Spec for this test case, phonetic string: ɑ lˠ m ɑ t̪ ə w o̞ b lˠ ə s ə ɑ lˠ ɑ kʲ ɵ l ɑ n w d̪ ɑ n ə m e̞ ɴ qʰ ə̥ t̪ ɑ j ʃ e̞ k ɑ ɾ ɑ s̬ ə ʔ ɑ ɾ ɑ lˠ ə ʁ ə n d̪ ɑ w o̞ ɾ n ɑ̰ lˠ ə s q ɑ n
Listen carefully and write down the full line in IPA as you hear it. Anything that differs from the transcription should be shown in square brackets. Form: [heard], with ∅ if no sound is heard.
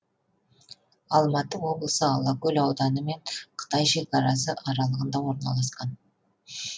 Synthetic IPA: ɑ lˠ m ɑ t̪ ə w o̞ b lˠ ə s ə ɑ lˠ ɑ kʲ ɵ l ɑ [∅] w d̪ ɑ n ə m e̞ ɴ qʰ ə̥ t̪ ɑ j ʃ e̞ k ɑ ɾ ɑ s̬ ə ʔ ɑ ɾ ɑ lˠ ə ʁ ə n d̪ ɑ w o̞ ɾ n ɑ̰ lˠ [ɑ] s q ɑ n